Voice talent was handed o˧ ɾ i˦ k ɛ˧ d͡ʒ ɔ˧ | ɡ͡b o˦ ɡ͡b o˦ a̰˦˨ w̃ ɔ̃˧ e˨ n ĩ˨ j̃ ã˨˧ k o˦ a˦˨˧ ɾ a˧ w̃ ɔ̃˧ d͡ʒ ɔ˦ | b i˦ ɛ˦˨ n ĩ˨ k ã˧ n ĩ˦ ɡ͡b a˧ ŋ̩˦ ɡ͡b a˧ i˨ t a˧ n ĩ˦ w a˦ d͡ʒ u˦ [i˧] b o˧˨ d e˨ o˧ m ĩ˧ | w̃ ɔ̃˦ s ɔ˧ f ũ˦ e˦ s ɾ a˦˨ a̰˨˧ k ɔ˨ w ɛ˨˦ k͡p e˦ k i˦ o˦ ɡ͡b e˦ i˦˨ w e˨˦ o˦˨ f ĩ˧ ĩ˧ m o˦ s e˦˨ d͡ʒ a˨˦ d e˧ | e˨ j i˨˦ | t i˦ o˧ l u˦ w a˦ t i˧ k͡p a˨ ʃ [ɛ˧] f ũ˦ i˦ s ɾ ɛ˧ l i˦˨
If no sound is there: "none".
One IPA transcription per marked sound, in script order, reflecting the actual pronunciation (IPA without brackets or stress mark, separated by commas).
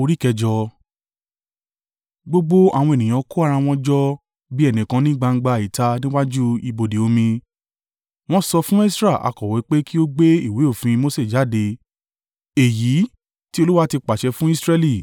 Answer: i˧, ɛ˧